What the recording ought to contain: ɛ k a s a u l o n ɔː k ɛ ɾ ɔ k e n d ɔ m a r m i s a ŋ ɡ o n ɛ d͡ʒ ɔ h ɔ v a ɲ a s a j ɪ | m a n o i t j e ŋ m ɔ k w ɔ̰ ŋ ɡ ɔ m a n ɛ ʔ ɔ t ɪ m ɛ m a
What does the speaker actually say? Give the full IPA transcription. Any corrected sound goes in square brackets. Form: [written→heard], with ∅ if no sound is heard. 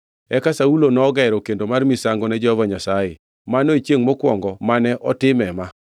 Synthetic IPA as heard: ɛ k a s a u l o n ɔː [k→ɡ] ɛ ɾ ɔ k e n d [ɔ→o] m a r m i s a ŋ ɡ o n ɛ d͡ʒ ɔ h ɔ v a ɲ a s a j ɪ | m a n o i [t→t͡ʃ] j e ŋ m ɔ k w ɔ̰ ŋ ɡ ɔ m a n ɛ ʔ ɔ t ɪ m ɛ m a